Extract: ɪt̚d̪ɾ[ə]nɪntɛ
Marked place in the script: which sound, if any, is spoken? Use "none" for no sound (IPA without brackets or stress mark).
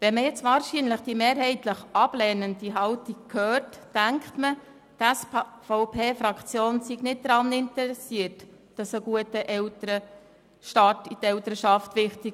ɑ